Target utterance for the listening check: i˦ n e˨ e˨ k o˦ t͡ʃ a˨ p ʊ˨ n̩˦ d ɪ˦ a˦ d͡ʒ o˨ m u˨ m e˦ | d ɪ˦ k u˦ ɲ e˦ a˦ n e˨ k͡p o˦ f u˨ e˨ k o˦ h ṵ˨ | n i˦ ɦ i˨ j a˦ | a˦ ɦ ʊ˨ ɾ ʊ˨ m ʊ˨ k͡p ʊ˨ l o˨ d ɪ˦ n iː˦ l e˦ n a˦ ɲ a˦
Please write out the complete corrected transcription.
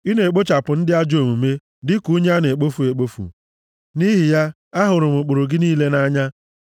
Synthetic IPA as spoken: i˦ n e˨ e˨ k͡p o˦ t͡ʃ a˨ p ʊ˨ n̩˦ d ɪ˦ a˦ d͡ʒ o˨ m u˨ m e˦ | d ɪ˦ k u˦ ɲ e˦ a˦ n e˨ k͡p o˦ f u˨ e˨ k͡p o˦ f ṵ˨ | n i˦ ɦ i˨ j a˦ | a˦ ɦ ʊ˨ ɾ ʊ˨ m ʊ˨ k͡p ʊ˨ ɾ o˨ ɡ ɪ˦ n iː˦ l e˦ n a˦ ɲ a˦

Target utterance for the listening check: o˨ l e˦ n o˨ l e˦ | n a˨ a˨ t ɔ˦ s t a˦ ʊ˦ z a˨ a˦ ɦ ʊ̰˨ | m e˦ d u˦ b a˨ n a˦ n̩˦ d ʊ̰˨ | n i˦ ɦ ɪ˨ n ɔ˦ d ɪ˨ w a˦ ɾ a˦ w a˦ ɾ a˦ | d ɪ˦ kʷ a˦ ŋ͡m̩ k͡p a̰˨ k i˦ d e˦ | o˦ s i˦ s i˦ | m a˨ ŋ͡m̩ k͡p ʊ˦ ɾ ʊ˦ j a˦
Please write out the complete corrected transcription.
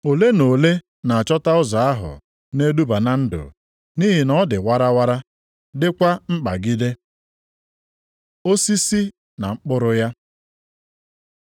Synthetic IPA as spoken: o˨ l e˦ n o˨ l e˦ | n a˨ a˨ t͡ʃ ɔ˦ t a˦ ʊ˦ z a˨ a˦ ɦ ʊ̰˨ | n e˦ d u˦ b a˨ n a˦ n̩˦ d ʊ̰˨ | n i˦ ɦ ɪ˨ n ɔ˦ d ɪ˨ w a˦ ɾ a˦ w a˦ ɾ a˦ | d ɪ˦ kʷ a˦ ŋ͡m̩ k͡p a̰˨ ɡ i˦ d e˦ | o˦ s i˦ s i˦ | n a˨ ŋ͡m̩ k͡p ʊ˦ ɾ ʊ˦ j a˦

